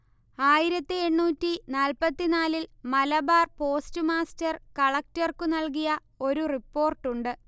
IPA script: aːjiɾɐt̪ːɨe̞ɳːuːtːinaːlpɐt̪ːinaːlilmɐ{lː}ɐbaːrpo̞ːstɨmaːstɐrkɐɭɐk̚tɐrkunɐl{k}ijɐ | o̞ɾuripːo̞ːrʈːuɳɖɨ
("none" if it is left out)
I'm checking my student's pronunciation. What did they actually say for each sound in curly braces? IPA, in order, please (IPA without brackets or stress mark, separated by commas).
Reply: l, k